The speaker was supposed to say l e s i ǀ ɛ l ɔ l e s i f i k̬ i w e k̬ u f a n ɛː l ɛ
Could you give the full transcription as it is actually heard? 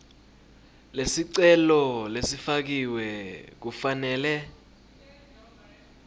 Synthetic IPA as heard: l e s i ǀ ɛ l ɔ l e s i f a k̬ i w ɛ k̬ u f a n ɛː l ɛ